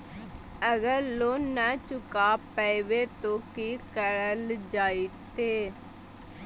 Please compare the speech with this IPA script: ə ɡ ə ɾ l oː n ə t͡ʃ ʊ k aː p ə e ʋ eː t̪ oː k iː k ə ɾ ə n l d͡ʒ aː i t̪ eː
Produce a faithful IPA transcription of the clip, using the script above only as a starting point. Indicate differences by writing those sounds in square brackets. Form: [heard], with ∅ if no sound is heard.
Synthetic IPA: ə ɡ ə ɾ l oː n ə t͡ʃ ʊ k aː p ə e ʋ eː t̪ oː k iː k ə ɾ ə [∅] l d͡ʒ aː i t̪ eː